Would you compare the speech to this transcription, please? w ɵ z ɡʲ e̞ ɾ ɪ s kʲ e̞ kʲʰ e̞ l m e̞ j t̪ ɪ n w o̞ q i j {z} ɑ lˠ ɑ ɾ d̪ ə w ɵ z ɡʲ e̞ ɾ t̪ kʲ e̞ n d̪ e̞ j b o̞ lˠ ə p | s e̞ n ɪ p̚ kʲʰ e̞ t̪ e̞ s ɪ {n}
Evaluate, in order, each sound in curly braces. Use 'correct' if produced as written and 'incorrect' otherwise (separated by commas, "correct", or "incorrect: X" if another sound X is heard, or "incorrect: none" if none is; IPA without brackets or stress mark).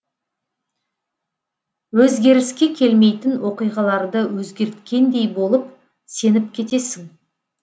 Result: incorrect: ʁ, incorrect: ŋ